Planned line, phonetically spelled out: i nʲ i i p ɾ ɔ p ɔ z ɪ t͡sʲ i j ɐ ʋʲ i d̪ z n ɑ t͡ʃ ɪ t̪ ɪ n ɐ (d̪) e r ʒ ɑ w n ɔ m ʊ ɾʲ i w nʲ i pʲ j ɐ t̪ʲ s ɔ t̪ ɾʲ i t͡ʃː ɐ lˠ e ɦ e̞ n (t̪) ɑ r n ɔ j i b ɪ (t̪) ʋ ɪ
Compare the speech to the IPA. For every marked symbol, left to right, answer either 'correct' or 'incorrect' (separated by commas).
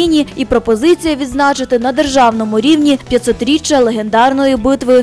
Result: correct, incorrect, correct